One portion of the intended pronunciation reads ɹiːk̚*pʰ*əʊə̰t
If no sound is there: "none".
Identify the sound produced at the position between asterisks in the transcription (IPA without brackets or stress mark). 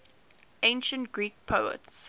pʰ